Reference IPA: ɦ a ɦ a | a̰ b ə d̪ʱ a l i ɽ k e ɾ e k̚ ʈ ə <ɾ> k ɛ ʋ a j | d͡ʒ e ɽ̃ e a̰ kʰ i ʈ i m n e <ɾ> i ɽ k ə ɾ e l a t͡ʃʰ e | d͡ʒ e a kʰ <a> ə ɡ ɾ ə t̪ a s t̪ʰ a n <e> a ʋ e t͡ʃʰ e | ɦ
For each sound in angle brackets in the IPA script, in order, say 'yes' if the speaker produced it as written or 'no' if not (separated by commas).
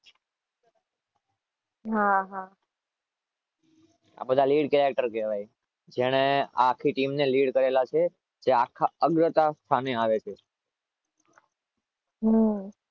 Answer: yes, no, yes, yes